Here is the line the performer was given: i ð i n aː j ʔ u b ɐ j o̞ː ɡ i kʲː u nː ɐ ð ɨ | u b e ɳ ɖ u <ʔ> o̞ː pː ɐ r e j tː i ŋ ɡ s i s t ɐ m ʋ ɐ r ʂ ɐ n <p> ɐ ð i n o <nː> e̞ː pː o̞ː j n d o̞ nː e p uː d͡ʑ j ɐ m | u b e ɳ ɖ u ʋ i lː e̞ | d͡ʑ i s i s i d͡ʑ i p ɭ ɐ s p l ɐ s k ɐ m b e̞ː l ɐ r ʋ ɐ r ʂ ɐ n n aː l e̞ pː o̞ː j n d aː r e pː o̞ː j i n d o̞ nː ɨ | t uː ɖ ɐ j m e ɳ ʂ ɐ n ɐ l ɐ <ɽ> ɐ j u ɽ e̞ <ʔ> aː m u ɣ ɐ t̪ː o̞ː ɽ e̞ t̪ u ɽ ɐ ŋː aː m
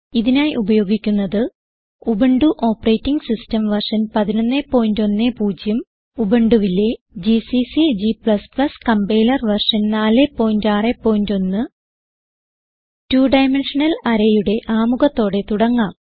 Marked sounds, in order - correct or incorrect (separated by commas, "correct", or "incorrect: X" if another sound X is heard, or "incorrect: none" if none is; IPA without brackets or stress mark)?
correct, correct, correct, incorrect: ɾ, correct